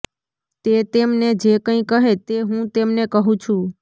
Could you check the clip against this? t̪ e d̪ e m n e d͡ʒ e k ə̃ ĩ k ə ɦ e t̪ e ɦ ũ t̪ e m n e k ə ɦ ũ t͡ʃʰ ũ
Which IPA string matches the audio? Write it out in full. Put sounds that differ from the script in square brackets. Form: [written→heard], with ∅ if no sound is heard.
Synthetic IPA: t̪ e [d̪→t̪] e m n e d͡ʒ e k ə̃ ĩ k ə ɦ e t̪ e ɦ ũ t̪ e m n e k ə ɦ ũ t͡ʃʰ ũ